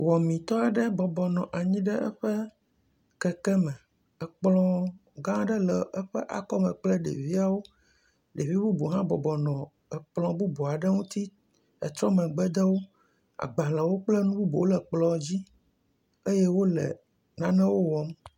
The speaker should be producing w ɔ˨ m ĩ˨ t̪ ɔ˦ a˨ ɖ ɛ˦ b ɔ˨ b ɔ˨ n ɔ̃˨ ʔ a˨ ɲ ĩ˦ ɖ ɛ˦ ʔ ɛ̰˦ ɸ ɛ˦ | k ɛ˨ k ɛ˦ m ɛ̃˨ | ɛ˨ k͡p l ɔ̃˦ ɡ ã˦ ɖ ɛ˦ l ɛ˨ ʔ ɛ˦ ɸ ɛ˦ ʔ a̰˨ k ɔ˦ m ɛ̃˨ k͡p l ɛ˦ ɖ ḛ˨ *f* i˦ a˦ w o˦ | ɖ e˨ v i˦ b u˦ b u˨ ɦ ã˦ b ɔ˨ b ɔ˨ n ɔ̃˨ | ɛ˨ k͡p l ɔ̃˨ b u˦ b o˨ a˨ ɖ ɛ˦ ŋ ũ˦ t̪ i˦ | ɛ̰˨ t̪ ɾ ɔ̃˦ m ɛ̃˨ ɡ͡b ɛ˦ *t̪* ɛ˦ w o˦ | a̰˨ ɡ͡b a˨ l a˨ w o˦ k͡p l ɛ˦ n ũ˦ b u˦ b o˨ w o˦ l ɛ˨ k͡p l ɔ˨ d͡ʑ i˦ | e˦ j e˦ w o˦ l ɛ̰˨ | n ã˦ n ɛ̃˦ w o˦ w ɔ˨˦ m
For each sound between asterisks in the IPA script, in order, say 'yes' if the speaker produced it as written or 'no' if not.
no, no

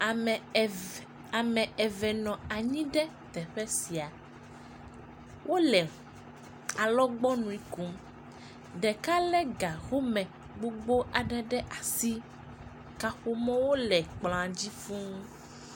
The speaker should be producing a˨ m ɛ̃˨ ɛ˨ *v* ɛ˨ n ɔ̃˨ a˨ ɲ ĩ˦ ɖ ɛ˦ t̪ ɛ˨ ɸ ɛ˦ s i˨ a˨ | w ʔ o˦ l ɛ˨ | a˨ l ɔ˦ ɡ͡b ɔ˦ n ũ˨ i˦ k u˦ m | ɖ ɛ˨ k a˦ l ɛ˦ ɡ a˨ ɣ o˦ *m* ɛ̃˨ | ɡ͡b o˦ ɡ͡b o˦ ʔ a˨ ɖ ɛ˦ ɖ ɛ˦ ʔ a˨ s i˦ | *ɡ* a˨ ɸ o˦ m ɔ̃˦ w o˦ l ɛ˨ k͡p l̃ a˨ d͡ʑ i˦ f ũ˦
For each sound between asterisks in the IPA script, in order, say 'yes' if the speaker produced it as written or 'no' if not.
yes, yes, no

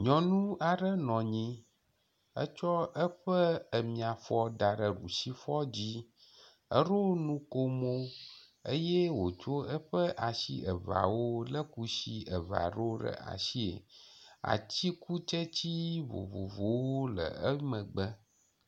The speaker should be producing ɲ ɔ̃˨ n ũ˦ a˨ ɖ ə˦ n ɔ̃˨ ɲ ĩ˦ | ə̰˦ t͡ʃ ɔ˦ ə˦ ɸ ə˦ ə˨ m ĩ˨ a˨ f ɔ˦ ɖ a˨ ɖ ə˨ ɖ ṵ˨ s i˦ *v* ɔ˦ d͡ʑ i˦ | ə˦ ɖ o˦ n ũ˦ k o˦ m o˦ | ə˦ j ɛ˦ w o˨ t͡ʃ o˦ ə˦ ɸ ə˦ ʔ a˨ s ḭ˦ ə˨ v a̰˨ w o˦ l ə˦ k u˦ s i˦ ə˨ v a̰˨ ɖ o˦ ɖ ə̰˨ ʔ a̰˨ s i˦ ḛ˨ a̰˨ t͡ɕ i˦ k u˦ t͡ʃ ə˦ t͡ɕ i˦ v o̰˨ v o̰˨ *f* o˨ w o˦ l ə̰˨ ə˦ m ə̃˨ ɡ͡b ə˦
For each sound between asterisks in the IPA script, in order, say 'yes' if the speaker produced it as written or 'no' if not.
no, no

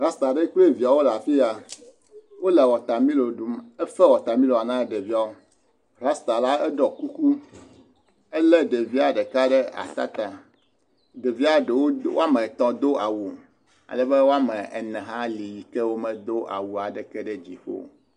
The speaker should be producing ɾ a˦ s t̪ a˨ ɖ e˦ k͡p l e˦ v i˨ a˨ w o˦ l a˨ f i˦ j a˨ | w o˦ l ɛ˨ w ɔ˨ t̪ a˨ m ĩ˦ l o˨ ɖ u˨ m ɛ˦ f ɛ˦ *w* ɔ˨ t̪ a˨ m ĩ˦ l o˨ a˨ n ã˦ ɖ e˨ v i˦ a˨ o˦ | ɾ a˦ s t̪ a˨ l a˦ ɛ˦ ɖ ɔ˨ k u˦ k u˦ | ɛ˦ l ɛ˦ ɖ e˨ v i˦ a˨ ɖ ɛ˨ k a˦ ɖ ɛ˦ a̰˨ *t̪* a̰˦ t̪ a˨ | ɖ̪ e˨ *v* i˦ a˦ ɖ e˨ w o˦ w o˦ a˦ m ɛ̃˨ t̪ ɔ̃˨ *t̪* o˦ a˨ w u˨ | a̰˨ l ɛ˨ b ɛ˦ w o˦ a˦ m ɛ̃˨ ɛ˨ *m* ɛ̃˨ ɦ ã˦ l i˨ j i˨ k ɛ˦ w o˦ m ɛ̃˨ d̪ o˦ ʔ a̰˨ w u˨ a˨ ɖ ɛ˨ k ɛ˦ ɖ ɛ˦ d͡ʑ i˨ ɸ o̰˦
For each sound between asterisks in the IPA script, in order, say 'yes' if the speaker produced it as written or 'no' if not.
yes, yes, yes, no, no

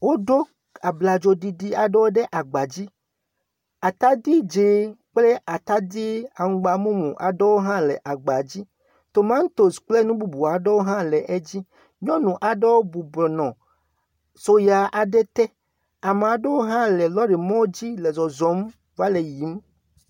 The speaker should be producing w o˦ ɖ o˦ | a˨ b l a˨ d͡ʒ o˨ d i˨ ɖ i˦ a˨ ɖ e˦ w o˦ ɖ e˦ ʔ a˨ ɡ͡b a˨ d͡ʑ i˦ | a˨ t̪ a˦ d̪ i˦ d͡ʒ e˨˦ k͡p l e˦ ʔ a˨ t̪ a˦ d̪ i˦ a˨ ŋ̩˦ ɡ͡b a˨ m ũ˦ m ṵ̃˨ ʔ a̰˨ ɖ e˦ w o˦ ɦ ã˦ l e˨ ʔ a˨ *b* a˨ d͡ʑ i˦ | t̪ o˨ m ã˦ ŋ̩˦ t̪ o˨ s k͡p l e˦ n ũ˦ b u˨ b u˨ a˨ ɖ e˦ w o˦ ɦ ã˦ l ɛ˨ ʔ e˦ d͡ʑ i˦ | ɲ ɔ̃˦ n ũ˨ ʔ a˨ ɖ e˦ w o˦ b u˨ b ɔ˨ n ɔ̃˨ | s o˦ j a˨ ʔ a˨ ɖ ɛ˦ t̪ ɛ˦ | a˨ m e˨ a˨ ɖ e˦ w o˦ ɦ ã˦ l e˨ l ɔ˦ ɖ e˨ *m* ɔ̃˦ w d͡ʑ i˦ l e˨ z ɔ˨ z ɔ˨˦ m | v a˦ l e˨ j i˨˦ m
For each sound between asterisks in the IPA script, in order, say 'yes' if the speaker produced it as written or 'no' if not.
no, yes

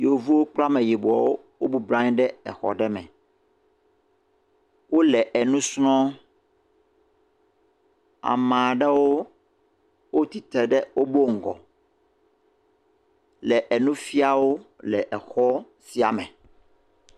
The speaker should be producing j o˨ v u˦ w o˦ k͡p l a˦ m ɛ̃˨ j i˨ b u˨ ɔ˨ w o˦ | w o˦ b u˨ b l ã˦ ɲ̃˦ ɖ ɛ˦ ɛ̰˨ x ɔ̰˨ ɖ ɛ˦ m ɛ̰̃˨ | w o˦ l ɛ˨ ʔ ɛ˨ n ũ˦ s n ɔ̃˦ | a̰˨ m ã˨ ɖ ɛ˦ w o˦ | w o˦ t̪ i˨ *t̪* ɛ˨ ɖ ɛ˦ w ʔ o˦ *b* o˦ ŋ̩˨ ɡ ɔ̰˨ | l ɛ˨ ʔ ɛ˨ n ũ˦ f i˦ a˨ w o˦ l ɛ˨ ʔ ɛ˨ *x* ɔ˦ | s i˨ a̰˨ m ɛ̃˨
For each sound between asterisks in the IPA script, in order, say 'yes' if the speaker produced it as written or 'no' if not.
yes, yes, yes

